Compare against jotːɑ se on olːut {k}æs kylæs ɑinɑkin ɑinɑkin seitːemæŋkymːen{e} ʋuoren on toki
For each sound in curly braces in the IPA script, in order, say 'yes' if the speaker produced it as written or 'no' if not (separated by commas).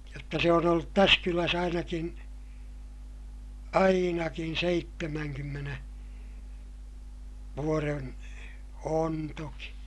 no, yes